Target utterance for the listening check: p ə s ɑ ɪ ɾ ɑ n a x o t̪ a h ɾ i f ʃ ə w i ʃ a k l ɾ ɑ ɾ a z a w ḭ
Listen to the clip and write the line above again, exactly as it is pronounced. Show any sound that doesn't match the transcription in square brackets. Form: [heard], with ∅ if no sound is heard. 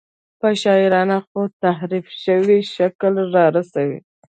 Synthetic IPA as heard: p ə [ʃ] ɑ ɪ ɾ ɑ n a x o t̪ a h ɾ i f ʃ ə w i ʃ a k l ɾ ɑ ɾ a [s] a w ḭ